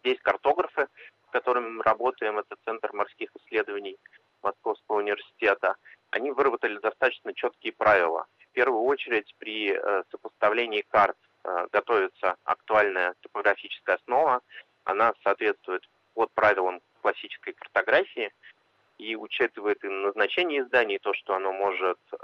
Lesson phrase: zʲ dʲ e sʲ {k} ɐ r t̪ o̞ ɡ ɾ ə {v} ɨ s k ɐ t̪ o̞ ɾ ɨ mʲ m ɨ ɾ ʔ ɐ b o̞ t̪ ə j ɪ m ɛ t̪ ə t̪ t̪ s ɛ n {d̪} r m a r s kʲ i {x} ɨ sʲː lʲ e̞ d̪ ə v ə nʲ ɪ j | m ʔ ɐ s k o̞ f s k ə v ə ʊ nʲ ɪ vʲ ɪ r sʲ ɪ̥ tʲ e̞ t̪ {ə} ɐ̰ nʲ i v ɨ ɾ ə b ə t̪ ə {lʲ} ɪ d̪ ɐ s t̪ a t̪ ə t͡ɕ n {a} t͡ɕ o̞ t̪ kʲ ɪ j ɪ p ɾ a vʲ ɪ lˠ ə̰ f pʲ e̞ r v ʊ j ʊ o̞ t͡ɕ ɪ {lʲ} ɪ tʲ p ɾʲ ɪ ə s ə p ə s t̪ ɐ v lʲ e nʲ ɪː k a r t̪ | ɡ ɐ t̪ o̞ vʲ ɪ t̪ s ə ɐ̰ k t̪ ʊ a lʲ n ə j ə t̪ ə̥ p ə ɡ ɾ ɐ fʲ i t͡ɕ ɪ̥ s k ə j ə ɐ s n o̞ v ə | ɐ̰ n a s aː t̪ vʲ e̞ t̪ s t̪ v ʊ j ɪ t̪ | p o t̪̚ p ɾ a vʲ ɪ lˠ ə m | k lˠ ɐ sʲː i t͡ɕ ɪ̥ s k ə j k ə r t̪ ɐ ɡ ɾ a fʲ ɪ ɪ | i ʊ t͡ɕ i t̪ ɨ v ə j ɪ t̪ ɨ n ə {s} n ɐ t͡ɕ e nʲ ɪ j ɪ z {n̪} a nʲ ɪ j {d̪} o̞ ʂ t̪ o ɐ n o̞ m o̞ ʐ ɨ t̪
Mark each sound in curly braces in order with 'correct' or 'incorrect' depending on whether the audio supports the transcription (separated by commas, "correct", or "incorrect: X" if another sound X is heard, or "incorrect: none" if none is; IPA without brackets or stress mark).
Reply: correct, incorrect: f, incorrect: t̪, correct, correct, correct, incorrect: ə, incorrect: ɾʲ, incorrect: z, incorrect: d̪, incorrect: t̪